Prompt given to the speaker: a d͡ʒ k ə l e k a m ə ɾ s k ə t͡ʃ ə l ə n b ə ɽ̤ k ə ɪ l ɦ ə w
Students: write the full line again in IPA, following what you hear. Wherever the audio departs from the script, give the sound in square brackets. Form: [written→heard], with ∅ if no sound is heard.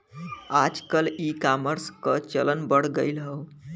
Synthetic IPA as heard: a d͡ʒ k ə l [e→i] k a m ə ɾ s k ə t͡ʃ ə l ə n b ə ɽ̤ [k→ɡ] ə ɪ l ɦ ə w